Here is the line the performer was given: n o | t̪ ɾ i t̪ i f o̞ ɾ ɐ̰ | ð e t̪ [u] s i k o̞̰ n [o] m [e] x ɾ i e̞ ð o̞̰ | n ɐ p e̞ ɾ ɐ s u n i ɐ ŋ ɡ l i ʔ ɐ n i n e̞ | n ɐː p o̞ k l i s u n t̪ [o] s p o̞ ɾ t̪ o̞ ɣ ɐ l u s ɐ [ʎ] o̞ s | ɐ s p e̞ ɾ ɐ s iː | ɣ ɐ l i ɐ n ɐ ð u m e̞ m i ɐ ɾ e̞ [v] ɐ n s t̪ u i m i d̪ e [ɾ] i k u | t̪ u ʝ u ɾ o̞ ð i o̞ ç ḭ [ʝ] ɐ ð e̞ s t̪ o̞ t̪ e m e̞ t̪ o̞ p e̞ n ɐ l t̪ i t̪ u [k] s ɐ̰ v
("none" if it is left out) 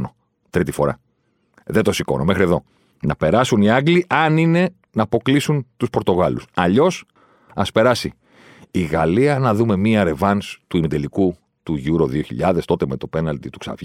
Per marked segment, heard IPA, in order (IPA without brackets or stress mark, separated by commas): o, o, e, u, ʎ, v, l, ʎ, k